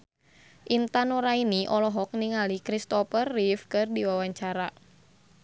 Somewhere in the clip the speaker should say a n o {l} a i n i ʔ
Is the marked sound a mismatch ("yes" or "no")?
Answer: yes